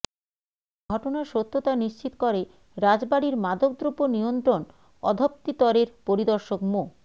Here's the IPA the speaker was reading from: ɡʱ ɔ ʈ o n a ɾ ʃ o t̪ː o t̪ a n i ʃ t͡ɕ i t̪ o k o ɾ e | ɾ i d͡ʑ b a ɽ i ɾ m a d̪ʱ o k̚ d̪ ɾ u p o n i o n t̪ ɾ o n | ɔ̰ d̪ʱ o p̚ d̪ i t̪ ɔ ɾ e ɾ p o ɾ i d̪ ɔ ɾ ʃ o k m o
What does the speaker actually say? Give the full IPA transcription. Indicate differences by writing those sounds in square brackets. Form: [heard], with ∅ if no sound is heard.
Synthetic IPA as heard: ɡʱ ɔ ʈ o n a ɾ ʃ o t̪ː o t̪ a n i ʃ t͡ɕ i t̪ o k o ɾ e | ɾ [a] d͡ʑ b a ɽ i ɾ m a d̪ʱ o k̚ d̪ ɾ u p o n i o n t̪ ɾ o n | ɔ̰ d̪ʱ o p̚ [t̪] i t̪ ɔ ɾ e ɾ p o ɾ i d̪ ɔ ɾ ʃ o k m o